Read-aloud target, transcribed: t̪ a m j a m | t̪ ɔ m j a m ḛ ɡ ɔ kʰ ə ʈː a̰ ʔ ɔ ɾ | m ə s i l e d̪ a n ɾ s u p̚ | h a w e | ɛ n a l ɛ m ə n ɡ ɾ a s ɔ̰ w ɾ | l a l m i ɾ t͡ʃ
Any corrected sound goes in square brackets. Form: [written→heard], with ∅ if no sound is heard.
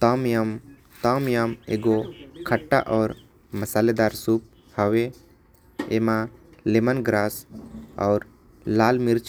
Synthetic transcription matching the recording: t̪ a m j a m | t̪ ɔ m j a m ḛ ɡ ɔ kʰ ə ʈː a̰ ʔ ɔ ɾ | m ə s [i→a] l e d̪ a [n→∅] ɾ s u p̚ | h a w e | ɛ [n→m] a l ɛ m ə n ɡ ɾ a s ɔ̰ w ɾ | l a l m i ɾ t͡ʃ